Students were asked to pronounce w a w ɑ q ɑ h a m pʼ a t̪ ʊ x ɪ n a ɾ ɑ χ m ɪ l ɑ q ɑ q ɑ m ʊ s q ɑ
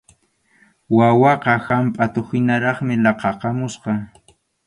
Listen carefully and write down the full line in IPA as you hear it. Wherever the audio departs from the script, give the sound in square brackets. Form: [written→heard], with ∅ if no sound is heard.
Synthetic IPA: w a w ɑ q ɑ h a m pʼ a t̪ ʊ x ɪ n a ɾ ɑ χ m ɪ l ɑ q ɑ q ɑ m ʊ s q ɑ